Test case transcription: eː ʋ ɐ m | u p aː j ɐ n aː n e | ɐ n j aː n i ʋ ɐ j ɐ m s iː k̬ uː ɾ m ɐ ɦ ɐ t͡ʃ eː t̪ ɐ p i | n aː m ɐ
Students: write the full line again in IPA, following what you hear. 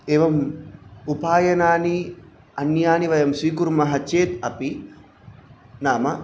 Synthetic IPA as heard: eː ʋ ɐ m | u p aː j ɐ n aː n i | ɐ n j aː n i ʋ ɐ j ɐ m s iː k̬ u ɾ m ɐ ɦ ɐ t͡ʃ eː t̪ ɐ p i | n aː m ɐ

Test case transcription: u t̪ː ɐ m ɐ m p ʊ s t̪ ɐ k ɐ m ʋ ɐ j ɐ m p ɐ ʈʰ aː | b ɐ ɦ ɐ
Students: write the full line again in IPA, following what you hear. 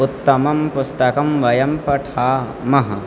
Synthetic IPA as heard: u t̪ː ɐ m ɐ m p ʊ s t̪ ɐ k ɐ m ʋ ɐ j ɐ m p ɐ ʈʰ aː | m ɐ ɦ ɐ

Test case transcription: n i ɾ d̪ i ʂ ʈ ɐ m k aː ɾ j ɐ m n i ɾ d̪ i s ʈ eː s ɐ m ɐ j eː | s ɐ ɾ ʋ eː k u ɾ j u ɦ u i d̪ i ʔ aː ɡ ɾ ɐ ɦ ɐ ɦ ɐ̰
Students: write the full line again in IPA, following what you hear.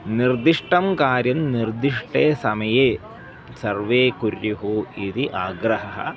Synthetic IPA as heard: n i ɾ d̪ i ʂ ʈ ɐ m k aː ɾ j ɐ m n i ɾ d̪ i ʂ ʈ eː s ɐ m ɐ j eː | s ɐ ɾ ʋ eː k u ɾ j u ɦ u i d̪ i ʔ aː ɡ ɾ ɐ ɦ ɐ ɦ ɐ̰

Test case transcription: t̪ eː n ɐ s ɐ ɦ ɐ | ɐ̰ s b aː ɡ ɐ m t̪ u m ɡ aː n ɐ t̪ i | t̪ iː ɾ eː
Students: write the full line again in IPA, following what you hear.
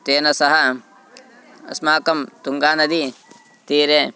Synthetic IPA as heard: t̪ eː n ɐ s ɐ ɦ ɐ | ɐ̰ s m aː k ɐ m t̪ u ŋ ɡ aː n ɐ d̪ i | t̪ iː ɾ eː

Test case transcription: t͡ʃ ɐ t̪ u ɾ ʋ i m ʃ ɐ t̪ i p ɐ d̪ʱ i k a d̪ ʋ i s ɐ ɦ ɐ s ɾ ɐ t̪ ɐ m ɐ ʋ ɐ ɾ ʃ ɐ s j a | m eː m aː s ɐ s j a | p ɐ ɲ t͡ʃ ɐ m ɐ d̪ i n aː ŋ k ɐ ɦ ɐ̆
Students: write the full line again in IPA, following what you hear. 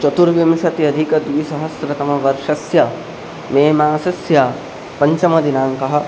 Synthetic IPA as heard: t͡ʃ ɐ t̪ u ɾ ʋ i m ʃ ɐ t̪ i ɐ d̪ʱ i k ɐ d̪ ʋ i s ɐ ɦ ɐ s ɾ ɐ t̪ ɐ m ɐ ʋ ɐ ɾ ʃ ɐ s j ɐ | m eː m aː s ɐ s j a | p ɐ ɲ t͡ʃ ɐ m ɐ d̪ i n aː ŋ k ɐ ɦ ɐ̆

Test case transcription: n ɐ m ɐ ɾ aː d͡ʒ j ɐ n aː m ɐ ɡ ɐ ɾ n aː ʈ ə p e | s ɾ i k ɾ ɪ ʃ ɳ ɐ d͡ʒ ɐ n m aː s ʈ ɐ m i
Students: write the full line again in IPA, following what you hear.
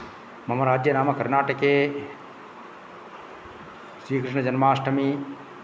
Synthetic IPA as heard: m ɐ m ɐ ɾ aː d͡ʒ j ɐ n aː m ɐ k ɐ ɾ n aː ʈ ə k e | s ɾ iː k ɾ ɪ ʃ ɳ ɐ d͡ʒ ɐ n m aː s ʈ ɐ m i

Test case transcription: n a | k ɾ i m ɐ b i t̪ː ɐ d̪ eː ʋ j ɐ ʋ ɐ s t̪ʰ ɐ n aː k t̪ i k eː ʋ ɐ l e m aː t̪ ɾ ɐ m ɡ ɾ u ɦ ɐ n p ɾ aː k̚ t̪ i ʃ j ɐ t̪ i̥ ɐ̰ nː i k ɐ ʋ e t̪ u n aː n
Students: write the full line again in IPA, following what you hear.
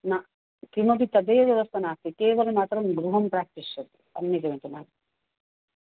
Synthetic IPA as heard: n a | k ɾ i m ɐ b i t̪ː ɐ d̪ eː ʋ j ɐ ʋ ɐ s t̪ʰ ɐ n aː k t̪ i k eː ʋ ɐ l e m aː t̪ ɾ ɐ m ɡ ɾ u ɦ ɐ m p ɾ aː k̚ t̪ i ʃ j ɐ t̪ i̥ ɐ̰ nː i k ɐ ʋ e t̪ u n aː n

